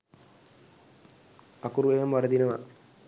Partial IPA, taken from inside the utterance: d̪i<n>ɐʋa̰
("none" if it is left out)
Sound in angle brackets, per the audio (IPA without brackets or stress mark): n